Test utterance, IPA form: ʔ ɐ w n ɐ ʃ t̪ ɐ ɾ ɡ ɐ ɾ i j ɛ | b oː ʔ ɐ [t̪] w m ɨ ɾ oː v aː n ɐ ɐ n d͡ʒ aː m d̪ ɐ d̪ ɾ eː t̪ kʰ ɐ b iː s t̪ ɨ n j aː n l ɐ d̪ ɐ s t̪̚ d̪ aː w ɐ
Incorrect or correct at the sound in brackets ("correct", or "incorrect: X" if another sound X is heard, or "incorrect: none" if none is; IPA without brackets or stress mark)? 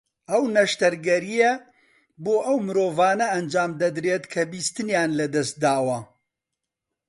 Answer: incorrect: none